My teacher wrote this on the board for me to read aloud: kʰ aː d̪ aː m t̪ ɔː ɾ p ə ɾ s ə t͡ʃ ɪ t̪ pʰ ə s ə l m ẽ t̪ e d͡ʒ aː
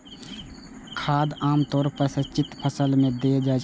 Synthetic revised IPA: kʰ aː d̪ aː m t̪ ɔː ɾ p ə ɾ s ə t͡ʃ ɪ t̪ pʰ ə s ə l m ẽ d̪ e d͡ʒ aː